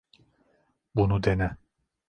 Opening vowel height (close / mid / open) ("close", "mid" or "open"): close